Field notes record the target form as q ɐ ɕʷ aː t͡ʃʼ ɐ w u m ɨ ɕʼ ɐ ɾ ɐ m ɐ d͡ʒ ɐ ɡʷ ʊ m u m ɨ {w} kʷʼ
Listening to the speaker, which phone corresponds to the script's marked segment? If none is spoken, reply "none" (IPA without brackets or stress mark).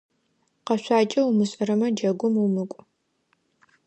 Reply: none